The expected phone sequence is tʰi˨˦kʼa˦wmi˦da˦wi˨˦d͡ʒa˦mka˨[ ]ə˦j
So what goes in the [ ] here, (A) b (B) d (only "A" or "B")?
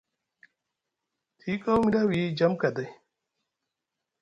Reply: B